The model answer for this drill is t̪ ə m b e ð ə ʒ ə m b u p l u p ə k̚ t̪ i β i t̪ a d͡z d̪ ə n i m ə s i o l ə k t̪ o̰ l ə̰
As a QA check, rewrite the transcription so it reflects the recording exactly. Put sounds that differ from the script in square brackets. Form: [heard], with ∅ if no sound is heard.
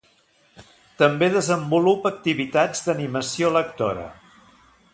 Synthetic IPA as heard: t̪ ə m b e ð ə [z] ə m b u [∅] l u p ə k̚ t̪ i β i t̪ a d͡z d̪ ə n i m ə s i o l ə k t̪ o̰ [ɾ] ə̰